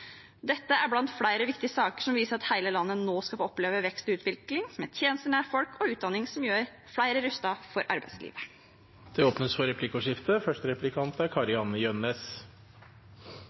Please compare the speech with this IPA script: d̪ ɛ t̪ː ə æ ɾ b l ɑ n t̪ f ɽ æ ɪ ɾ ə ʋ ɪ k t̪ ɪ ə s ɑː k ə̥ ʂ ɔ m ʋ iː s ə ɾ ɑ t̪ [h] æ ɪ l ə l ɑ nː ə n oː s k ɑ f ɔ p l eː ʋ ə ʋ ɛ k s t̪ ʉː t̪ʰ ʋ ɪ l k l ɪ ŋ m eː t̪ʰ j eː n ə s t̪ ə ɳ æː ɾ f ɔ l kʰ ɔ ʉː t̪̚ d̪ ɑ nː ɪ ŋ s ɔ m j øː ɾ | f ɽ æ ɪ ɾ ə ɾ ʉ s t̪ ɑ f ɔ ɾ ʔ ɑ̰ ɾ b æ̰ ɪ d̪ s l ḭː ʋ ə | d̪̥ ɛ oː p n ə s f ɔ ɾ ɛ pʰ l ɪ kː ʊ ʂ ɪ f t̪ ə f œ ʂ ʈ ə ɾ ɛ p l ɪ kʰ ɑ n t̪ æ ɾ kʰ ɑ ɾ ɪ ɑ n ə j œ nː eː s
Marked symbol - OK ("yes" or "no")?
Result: yes